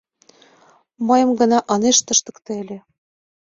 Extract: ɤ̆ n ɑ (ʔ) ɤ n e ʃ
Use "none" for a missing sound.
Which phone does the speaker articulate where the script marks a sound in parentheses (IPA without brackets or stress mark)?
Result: ʔ